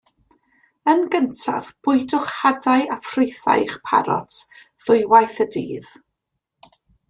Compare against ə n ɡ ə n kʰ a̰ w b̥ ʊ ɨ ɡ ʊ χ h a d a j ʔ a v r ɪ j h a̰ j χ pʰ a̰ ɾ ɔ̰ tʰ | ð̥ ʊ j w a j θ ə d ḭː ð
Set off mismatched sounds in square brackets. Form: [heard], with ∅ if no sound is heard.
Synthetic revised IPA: ə n ɡ ə n [tʰ] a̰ [v] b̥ ʊ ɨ [d] ʊ χ h a d a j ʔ a [f] r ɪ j [θ] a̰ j χ pʰ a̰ ɾ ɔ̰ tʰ | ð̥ ʊ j w a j θ ə d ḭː ð